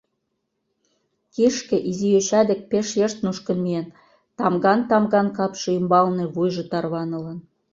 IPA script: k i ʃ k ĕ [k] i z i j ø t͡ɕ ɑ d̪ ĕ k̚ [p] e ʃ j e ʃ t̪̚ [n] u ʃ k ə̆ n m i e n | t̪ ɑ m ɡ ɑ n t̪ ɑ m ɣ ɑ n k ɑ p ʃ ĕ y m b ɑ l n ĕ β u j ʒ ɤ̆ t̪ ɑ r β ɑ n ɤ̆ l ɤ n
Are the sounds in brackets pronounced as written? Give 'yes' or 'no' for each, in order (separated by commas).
no, yes, yes